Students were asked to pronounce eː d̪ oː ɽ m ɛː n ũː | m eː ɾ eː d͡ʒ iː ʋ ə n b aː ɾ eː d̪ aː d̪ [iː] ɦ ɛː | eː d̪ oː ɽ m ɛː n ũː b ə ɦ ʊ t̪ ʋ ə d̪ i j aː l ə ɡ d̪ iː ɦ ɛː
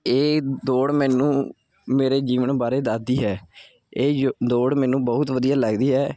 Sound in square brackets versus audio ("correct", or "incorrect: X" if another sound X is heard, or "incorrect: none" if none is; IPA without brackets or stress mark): correct